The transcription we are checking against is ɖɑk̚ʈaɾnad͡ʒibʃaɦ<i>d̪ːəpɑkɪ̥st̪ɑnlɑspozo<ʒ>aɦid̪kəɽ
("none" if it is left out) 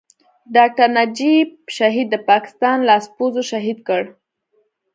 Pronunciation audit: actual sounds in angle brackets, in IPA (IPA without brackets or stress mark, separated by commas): i, ʃ